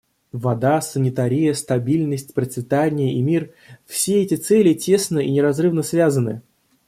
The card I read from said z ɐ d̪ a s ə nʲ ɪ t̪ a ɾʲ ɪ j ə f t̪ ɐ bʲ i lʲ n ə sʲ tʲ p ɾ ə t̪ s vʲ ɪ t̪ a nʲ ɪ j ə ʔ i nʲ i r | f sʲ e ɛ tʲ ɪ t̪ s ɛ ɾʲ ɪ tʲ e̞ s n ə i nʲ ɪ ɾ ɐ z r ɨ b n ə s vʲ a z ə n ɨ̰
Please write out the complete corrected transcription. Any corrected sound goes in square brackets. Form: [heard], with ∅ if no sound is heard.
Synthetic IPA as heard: [v] ɐ d̪ a s ə nʲ ɪ t̪ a ɾʲ ɪ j ə [s] t̪ ɐ bʲ i lʲ n ə sʲ tʲ p ɾ ə t̪ s vʲ ɪ t̪ a nʲ ɪ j ə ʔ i [mʲ] i r | f sʲ e ɛ tʲ ɪ t̪ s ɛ [lʲ] ɪ tʲ e̞ s n ə i nʲ ɪ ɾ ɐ z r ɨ [v] n ə s vʲ a z ə n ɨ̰